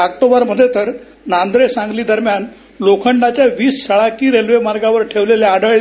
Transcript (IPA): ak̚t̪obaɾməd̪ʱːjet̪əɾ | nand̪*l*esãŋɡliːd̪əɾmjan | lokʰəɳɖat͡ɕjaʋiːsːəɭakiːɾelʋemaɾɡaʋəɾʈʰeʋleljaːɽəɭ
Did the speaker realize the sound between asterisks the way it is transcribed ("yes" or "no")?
no